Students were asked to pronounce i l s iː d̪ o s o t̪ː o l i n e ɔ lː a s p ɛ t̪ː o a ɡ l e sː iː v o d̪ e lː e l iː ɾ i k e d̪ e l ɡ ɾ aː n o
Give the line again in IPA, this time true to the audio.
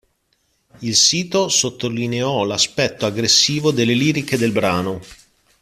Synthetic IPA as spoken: i l s iː t̪ o s o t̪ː o l i n e ɔ l a s p ɛ t̪ː o a ɡ ɾ e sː iː v o d̪ e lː e l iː ɾ i k e d̪ e l b ɾ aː n o